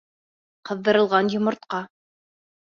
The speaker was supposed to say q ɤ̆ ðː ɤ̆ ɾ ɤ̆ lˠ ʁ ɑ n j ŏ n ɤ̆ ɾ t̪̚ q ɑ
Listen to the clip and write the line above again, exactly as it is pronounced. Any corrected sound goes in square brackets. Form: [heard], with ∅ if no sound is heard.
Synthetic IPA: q ɤ̆ ðː ɤ̆ ɾ ɤ̆ lˠ ʁ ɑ n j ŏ [m] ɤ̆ ɾ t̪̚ q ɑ